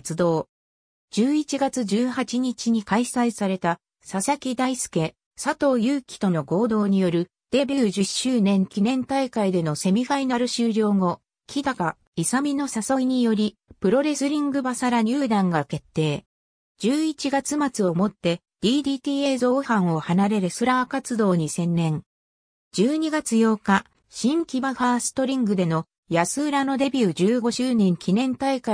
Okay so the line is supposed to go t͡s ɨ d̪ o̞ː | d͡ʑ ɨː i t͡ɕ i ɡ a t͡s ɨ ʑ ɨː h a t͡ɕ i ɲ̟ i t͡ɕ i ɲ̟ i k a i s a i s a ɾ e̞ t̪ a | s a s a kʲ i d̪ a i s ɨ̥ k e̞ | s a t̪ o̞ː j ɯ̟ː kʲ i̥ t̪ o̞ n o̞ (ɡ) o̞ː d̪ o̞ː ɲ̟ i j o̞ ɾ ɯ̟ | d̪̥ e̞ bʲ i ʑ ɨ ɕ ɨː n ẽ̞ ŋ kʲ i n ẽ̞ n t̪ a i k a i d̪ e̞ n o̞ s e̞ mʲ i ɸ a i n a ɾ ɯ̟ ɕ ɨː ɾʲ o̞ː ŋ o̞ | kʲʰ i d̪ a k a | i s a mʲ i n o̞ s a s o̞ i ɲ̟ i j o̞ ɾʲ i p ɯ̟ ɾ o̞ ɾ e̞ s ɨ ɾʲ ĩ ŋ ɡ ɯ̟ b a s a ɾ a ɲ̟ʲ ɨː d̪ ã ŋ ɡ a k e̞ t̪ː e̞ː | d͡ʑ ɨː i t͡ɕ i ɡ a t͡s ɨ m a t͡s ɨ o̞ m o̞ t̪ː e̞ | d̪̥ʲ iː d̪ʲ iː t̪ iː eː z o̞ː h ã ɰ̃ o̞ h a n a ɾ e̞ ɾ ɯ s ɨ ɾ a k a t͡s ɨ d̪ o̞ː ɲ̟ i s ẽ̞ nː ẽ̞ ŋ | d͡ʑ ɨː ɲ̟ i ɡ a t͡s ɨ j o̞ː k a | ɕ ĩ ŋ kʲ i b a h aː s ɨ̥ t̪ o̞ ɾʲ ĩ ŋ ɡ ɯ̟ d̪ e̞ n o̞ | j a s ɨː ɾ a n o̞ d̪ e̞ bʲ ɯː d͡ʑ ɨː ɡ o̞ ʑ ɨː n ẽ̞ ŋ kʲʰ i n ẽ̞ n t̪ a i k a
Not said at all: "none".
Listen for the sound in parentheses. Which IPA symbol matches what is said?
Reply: ɡ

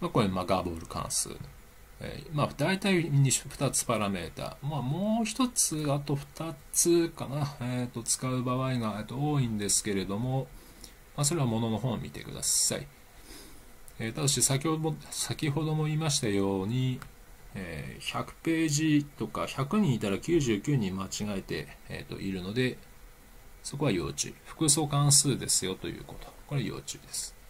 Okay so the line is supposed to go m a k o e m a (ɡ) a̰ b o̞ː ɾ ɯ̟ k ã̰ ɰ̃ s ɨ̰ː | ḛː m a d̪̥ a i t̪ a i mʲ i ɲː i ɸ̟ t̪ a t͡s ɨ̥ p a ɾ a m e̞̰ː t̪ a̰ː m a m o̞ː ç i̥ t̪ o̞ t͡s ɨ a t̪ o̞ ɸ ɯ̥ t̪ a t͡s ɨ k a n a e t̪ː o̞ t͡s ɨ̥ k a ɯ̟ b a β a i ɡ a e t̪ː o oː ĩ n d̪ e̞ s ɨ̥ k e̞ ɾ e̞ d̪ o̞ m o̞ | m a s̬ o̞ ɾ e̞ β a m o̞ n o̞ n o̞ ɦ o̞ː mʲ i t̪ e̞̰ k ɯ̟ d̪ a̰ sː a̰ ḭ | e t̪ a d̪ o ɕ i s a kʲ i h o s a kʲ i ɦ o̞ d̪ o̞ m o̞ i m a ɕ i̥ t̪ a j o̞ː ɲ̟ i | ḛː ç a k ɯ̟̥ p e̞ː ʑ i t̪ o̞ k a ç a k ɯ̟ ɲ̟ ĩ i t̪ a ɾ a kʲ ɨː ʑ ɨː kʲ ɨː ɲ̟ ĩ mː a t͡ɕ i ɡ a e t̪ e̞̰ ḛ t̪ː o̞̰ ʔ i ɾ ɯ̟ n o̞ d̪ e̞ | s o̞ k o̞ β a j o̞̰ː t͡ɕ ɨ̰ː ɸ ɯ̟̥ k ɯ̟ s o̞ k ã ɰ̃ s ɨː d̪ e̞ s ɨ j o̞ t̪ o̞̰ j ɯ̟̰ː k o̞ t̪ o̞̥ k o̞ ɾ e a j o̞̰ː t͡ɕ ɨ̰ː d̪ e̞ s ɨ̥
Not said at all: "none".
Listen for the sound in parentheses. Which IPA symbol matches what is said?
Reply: ɡ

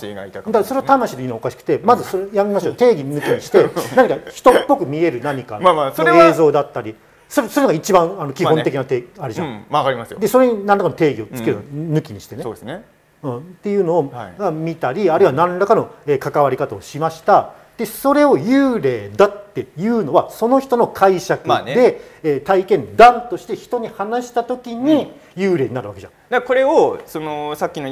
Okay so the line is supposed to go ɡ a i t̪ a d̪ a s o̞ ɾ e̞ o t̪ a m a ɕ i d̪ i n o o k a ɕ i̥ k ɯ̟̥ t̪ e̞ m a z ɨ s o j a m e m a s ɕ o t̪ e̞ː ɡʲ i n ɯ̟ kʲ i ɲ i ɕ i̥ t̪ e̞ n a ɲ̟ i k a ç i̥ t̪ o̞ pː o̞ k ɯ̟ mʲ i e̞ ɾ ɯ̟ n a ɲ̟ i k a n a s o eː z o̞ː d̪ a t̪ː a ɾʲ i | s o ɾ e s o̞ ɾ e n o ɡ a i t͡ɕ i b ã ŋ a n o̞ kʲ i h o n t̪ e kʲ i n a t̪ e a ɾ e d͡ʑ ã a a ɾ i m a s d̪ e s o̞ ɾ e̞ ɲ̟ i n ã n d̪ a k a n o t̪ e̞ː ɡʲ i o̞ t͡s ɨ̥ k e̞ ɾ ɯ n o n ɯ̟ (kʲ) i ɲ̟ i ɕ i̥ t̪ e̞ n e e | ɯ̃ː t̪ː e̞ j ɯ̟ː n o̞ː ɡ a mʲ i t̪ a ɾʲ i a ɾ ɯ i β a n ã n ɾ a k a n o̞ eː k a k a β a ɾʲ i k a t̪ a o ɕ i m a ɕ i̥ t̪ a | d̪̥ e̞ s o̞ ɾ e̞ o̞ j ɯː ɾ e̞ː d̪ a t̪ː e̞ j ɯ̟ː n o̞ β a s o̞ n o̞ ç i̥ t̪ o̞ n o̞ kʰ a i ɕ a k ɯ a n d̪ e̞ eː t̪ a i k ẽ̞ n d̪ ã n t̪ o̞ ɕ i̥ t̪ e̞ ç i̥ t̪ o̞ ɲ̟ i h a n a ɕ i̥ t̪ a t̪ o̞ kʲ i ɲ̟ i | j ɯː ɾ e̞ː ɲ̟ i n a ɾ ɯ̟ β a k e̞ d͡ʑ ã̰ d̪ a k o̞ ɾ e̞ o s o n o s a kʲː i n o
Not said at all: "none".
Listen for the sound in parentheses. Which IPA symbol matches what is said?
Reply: kʲ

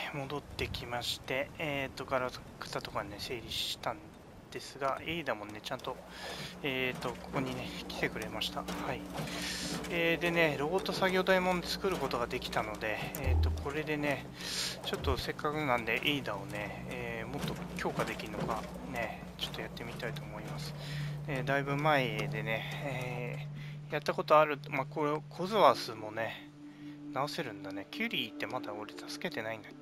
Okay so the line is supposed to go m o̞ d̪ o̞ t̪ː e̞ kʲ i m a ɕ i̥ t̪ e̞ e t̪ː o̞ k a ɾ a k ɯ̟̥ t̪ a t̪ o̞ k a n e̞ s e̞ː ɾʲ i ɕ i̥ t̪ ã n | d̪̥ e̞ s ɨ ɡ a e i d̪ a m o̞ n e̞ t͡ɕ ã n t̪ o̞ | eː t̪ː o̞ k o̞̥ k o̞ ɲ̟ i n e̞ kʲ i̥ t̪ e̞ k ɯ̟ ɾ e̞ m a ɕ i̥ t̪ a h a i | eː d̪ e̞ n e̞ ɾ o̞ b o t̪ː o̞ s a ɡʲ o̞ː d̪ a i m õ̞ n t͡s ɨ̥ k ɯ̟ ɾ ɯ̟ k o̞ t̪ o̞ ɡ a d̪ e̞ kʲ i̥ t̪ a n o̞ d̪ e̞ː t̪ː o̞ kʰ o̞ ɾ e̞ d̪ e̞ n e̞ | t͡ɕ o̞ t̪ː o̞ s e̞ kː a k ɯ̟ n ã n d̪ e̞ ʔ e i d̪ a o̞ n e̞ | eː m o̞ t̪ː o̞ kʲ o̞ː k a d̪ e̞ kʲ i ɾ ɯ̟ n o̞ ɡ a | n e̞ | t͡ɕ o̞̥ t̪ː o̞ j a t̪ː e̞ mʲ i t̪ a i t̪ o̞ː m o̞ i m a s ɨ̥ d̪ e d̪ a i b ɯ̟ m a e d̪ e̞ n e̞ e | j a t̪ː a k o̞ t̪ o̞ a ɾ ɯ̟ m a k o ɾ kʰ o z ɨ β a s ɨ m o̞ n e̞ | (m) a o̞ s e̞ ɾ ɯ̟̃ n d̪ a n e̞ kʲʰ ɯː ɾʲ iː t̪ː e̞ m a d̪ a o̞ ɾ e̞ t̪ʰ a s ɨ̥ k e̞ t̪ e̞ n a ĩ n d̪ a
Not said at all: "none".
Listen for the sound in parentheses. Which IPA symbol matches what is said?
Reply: n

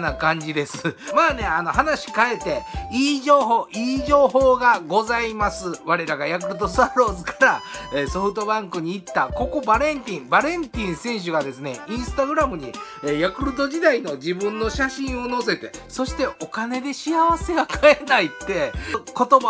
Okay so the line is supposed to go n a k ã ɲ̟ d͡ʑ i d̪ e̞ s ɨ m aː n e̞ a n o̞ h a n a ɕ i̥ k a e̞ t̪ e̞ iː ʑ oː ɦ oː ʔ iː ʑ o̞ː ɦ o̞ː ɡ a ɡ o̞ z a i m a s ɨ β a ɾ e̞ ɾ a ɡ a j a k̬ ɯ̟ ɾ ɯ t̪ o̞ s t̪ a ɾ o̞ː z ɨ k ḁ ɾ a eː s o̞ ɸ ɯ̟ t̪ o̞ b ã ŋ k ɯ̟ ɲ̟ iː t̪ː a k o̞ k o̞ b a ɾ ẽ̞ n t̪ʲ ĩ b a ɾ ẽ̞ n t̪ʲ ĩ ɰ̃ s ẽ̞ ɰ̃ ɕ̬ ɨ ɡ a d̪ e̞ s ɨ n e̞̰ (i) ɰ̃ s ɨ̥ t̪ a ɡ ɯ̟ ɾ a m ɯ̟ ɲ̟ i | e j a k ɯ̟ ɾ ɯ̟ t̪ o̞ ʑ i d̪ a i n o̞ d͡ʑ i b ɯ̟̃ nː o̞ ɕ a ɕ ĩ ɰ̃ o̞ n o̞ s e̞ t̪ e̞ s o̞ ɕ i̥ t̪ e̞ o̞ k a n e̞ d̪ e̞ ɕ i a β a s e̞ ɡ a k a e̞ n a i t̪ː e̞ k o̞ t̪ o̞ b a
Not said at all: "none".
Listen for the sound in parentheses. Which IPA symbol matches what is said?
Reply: ĩ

